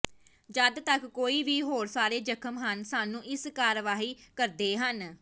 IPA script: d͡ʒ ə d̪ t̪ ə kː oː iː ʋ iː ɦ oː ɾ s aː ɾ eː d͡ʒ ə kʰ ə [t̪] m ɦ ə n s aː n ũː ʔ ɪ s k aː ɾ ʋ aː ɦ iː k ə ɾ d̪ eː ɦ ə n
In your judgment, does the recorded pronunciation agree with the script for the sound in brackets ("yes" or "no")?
no